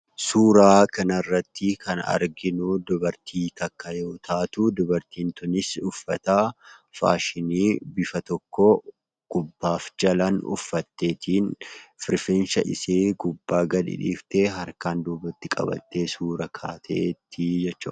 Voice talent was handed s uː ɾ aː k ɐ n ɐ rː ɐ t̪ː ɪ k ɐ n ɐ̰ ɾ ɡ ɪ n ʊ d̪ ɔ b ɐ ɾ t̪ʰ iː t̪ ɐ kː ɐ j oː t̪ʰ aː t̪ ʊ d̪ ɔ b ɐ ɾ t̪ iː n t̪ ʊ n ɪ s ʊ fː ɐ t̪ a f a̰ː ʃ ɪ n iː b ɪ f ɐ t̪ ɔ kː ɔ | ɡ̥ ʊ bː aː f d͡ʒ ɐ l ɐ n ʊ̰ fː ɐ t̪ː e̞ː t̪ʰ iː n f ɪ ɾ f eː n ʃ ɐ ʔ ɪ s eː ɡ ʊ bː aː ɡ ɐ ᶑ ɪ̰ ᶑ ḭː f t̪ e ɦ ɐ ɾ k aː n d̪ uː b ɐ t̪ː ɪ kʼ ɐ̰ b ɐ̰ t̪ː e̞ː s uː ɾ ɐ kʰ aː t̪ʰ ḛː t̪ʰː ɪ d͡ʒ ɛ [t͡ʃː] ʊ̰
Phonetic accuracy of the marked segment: correct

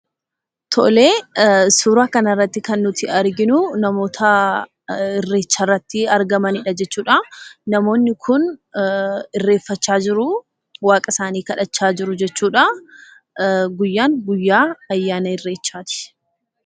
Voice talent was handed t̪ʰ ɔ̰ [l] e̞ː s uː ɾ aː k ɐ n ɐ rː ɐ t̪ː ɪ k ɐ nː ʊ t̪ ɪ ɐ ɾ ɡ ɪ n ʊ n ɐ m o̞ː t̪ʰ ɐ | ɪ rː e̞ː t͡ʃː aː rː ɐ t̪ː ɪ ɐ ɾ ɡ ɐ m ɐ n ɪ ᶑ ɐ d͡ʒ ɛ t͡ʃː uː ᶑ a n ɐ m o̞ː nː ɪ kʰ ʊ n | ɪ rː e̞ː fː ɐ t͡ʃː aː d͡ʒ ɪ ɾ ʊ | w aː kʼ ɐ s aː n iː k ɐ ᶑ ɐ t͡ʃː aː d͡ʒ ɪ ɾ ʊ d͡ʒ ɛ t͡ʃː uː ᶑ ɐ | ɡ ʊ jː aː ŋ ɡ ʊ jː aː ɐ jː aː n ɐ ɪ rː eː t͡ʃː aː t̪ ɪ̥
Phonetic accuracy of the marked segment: correct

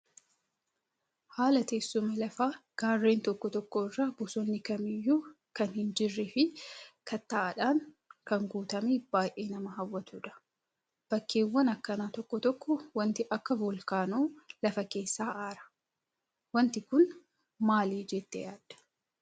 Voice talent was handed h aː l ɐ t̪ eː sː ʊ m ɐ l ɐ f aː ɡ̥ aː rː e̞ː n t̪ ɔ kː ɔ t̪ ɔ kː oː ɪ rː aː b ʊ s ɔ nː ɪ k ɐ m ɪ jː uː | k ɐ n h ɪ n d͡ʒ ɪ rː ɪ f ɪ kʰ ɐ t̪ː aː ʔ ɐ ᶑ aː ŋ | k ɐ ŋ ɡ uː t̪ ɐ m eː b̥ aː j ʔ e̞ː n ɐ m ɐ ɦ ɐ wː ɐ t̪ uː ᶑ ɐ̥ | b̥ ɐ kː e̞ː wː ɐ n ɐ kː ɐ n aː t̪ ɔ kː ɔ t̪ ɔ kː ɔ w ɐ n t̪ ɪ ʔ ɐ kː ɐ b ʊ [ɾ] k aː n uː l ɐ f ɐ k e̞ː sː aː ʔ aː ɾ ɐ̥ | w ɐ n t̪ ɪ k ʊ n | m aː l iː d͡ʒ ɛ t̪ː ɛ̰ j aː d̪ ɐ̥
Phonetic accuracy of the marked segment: incorrect: l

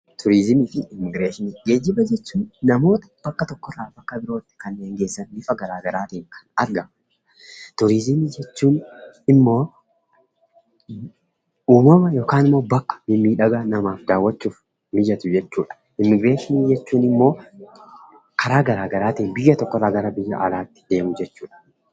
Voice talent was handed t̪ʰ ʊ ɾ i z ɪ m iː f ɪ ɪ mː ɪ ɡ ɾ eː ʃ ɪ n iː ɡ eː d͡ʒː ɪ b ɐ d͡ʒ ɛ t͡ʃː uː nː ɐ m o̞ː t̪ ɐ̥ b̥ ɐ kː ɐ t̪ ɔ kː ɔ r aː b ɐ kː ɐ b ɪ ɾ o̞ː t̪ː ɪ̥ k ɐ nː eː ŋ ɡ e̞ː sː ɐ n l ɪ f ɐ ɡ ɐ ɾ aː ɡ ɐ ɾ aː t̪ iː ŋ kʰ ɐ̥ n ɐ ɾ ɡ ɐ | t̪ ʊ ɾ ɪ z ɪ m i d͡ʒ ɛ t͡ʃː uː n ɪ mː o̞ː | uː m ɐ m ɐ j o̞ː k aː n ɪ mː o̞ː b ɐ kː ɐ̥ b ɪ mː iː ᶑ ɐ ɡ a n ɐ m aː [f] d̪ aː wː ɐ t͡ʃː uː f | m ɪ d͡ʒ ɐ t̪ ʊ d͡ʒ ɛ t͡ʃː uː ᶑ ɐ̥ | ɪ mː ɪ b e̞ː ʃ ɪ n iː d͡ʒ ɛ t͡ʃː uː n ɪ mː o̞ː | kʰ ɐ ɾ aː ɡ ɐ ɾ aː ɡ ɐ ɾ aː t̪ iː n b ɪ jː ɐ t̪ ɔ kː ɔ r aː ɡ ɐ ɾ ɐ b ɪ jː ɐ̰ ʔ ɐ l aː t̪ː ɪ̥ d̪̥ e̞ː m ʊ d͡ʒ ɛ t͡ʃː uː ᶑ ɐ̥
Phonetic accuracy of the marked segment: correct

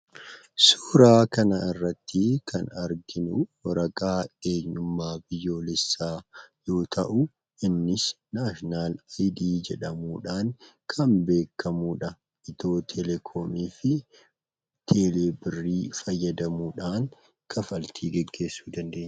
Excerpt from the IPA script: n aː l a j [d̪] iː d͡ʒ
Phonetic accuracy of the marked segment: correct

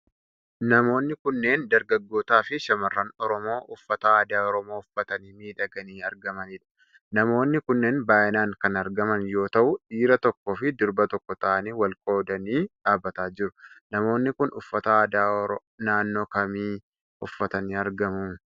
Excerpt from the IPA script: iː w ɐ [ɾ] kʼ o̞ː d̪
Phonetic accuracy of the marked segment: incorrect: l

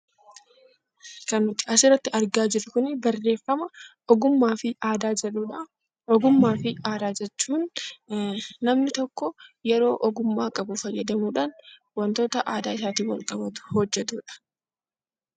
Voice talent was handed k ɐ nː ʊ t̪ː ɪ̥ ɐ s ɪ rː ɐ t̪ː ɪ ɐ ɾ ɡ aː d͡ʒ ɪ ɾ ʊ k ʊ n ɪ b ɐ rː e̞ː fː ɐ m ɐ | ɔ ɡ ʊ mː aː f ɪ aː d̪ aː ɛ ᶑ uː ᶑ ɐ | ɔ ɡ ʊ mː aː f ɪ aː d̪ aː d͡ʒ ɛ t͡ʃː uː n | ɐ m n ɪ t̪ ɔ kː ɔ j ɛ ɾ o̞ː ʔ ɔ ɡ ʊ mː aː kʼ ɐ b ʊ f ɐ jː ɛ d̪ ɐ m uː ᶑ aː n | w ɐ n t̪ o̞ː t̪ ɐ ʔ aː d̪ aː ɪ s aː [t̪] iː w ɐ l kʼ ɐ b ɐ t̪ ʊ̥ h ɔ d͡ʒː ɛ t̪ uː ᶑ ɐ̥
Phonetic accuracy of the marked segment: correct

